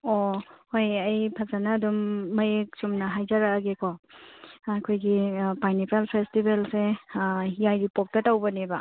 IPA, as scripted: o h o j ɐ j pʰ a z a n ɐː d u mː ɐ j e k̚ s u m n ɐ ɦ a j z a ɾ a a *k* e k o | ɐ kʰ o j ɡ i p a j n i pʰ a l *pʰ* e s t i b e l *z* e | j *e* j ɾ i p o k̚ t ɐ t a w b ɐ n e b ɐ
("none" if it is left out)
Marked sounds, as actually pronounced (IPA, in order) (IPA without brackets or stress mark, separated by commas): ɡ, pʰ, s, a